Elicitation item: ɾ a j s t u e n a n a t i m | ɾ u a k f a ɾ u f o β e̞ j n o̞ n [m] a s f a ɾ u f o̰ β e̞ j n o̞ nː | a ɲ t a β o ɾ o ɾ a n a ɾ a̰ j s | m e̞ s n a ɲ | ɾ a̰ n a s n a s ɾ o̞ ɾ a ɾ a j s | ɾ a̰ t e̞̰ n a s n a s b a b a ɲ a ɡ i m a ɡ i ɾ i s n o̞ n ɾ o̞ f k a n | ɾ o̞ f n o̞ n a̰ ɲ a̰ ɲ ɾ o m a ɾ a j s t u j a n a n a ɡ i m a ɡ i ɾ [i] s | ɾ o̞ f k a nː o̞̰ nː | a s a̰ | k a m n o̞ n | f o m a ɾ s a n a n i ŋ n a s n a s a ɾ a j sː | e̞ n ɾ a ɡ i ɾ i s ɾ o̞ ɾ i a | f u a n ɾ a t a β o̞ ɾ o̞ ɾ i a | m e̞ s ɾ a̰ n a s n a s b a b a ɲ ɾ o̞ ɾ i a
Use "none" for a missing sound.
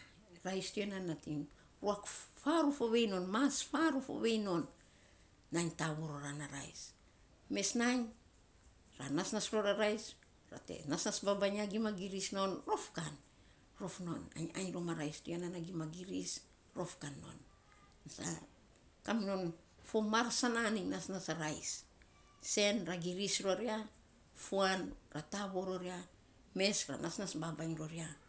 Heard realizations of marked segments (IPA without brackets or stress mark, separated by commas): m, i